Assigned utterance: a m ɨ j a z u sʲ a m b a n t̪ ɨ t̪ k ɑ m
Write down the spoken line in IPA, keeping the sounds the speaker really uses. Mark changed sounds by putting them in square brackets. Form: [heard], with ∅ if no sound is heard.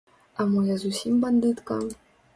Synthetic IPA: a m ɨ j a z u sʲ [i] m b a n [d̪] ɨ t̪ k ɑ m